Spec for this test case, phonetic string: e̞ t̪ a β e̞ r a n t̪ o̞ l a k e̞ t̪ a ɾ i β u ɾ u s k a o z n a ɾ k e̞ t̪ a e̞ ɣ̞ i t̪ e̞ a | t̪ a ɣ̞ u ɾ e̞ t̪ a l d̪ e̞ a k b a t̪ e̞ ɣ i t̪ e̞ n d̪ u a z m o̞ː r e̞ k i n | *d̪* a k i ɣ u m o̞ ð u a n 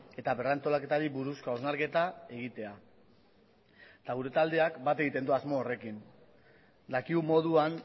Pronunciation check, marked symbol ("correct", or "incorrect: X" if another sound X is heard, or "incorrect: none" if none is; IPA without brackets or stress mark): correct